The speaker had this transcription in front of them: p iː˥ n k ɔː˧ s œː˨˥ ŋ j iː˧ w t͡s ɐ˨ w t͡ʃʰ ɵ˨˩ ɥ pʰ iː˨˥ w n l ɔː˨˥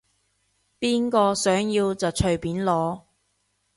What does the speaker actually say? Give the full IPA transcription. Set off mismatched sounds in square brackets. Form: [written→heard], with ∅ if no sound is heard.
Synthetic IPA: p iː˥ n k ɔː˧ s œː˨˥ ŋ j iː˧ w t͡s ɐ˨ w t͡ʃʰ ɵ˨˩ ɥ [pʰ→p] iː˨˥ [w→∅] n l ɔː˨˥